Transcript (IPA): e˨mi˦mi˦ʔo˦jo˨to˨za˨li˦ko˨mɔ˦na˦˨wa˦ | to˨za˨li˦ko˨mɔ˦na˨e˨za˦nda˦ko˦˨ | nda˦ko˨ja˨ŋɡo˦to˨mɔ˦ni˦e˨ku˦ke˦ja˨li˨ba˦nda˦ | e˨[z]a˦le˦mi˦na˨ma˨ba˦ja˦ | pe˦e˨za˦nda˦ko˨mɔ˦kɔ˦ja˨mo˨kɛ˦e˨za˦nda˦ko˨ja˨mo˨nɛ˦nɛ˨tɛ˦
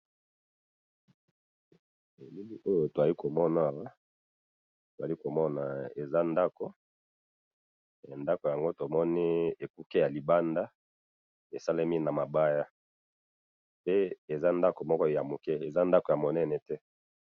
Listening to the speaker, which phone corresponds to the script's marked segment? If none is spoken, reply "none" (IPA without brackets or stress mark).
s